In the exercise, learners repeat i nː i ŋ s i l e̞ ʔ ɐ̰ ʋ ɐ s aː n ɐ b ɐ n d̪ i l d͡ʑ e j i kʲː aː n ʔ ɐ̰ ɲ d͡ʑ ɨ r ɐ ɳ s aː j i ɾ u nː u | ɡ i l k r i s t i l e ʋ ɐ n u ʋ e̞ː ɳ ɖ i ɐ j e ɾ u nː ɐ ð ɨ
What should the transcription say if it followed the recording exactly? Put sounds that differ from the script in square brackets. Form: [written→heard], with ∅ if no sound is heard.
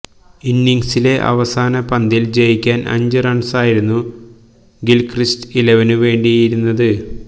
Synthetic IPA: i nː i ŋ s i l e̞ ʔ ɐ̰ ʋ ɐ s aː n ɐ [b→p] ɐ n d̪ i l d͡ʑ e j i kʲː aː n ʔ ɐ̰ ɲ d͡ʑ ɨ r ɐ ɳ s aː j i ɾ u nː u | ɡ i l k r i s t i l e ʋ ɐ n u ʋ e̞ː ɳ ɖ i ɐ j [e→i] ɾ u nː ɐ ð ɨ